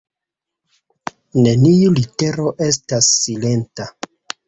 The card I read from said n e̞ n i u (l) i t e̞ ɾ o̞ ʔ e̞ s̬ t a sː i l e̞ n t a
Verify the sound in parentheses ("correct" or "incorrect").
correct